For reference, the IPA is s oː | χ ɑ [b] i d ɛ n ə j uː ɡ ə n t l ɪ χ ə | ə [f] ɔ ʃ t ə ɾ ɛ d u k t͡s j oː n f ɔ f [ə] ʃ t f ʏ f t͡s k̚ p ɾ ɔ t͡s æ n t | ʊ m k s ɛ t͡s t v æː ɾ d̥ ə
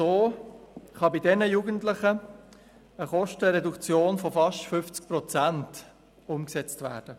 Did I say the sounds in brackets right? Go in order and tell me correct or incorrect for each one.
correct, incorrect: χ, incorrect: ɑ

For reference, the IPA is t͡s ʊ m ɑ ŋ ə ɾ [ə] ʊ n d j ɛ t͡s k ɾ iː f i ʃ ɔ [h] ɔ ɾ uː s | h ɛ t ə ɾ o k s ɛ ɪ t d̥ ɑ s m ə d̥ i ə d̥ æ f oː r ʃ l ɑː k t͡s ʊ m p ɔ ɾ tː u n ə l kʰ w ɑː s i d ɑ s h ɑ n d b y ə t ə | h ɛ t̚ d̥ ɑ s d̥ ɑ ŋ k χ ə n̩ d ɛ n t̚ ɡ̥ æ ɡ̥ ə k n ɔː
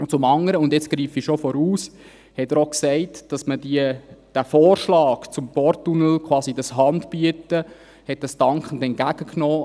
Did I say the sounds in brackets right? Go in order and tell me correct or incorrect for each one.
correct, incorrect: f

